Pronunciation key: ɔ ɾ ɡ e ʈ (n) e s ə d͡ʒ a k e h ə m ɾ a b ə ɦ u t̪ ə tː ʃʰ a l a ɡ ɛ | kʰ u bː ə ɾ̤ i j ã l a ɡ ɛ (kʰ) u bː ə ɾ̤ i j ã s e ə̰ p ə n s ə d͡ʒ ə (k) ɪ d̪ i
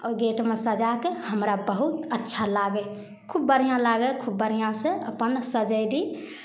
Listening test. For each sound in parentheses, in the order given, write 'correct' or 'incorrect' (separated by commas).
incorrect, correct, incorrect